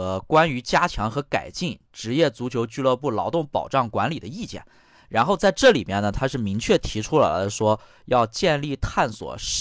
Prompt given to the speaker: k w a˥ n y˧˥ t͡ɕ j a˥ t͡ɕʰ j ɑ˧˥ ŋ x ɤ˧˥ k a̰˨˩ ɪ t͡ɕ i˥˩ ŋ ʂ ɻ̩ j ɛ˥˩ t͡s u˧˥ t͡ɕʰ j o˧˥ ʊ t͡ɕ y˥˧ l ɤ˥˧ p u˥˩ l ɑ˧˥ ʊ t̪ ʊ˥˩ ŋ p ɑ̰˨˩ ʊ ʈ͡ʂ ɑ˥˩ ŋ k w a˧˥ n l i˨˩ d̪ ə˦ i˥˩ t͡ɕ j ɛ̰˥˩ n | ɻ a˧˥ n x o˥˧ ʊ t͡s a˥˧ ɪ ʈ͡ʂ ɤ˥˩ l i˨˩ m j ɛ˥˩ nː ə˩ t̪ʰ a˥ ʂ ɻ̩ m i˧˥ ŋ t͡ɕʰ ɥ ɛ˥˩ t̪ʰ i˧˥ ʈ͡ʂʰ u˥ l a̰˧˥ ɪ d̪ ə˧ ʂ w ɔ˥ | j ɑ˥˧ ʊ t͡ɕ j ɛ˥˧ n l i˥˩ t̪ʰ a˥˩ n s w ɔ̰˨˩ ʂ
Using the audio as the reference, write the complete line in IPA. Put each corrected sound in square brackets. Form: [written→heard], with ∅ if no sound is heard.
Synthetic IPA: k w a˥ n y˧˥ t͡ɕ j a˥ t͡ɕʰ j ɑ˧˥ ŋ x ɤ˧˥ k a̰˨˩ ɪ t͡ɕ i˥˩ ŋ [ʂ→ʈ͡ʂ] ɻ̩ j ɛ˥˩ t͡s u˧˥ t͡ɕʰ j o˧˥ ʊ t͡ɕ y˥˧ l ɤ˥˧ p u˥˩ l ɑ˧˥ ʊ t̪ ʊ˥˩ ŋ p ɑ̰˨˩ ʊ ʈ͡ʂ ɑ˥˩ ŋ k w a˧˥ n l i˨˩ d̪ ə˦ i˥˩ t͡ɕ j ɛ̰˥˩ n | ɻ a˧˥ n x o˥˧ ʊ t͡s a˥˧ ɪ ʈ͡ʂ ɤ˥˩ l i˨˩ m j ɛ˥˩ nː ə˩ t̪ʰ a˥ ʂ ɻ̩ m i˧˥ ŋ t͡ɕʰ ɥ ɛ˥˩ t̪ʰ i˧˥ ʈ͡ʂʰ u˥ l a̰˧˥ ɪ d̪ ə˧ ʂ w ɔ˥ | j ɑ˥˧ ʊ t͡ɕ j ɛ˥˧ n l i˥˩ t̪ʰ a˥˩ n s w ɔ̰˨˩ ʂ